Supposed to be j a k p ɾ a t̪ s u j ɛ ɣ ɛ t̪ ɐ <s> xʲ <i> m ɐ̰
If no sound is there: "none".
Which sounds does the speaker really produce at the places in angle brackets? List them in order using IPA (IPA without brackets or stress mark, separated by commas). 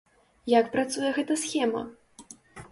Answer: s, ɛ